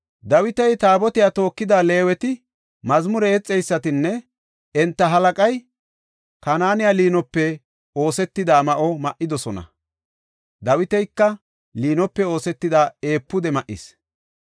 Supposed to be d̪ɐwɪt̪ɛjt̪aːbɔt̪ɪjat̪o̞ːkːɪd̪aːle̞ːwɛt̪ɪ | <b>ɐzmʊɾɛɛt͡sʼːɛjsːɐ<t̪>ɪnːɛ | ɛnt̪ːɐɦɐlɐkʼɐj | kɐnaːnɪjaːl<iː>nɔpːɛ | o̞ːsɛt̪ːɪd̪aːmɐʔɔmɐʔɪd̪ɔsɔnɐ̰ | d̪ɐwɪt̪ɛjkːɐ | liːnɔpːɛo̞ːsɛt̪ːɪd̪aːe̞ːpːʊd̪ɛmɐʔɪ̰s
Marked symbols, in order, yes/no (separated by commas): no, yes, yes